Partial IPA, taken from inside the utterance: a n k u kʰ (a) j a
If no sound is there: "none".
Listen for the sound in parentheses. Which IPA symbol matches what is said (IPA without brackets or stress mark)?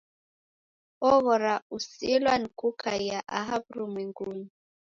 a